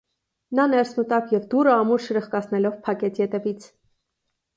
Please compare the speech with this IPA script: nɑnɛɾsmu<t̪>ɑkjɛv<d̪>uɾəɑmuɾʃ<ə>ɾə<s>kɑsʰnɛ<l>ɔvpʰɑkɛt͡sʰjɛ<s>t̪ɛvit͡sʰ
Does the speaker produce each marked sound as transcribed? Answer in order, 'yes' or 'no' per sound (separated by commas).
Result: yes, yes, yes, no, yes, no